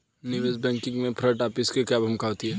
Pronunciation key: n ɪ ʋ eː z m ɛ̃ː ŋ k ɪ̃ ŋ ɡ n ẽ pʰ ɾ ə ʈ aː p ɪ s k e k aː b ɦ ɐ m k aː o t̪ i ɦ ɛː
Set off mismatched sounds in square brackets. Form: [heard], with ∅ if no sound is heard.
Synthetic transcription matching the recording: n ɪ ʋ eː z [b] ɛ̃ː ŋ k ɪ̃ ŋ ɡ [m] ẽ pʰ ɾ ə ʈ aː p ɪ s k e k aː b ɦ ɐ m k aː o t̪ i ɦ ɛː